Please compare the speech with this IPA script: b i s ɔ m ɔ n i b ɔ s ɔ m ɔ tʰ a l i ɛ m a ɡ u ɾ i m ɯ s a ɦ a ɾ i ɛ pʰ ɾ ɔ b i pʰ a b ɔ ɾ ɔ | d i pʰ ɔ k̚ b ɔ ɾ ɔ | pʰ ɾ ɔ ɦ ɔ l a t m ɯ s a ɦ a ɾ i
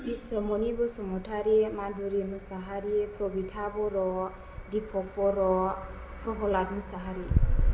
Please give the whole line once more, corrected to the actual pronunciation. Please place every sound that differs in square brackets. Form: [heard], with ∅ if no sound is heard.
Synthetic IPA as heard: b i s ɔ m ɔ n i b ɔ s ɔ m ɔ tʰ a [ɾ] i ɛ m a [d] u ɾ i m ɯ s a ɦ a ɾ i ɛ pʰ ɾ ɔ b i [tʰ] a b ɔ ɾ ɔ | d i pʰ ɔ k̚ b ɔ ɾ ɔ | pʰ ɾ ɔ ɦ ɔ l a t m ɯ s a ɦ a ɾ i